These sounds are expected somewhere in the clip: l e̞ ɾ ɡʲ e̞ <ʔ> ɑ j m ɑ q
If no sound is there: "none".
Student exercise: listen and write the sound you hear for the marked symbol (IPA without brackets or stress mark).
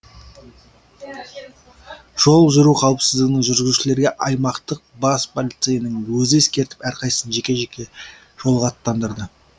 ʔ